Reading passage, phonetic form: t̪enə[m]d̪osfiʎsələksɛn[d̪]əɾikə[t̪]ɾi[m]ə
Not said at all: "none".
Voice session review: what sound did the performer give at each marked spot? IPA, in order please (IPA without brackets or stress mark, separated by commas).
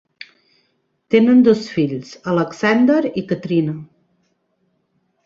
n, d̪, t̪, n